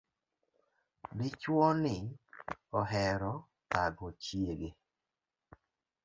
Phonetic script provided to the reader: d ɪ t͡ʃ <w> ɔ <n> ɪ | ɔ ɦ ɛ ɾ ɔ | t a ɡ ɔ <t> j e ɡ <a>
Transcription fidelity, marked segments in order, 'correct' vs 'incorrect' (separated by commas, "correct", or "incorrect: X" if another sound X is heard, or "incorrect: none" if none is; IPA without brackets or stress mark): correct, correct, incorrect: t͡ʃ, incorrect: e